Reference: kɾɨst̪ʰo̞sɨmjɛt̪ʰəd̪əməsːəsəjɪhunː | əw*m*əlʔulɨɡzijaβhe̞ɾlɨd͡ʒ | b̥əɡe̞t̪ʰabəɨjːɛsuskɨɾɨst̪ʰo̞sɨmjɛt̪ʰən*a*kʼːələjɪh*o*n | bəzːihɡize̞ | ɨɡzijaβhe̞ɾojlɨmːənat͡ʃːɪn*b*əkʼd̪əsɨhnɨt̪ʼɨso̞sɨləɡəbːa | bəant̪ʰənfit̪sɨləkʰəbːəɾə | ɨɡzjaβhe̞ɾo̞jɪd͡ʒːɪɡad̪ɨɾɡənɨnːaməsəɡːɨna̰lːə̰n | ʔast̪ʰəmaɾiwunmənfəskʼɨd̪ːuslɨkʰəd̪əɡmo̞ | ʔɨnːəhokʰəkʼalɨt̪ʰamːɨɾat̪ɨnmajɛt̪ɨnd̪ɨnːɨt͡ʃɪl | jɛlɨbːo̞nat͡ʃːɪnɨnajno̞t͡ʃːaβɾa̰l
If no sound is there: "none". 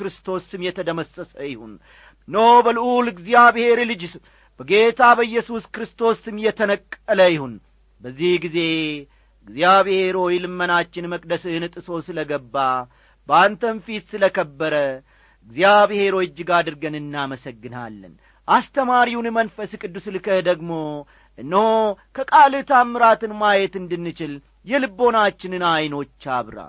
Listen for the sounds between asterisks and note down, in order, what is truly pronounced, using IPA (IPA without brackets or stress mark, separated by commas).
b, ə, u, m